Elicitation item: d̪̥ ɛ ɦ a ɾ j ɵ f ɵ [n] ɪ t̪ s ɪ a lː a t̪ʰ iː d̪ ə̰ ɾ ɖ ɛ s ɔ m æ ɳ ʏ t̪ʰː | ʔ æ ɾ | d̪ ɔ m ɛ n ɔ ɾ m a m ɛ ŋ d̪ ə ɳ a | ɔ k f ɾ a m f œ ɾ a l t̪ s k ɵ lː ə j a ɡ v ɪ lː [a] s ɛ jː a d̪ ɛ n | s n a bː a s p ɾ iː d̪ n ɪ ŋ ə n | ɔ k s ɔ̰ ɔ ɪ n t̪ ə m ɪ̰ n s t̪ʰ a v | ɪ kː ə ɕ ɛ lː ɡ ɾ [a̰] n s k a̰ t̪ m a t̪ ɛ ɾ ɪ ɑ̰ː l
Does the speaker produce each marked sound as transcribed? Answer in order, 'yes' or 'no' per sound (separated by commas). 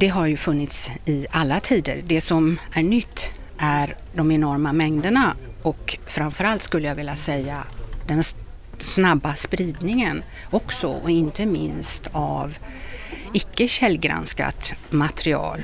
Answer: no, yes, yes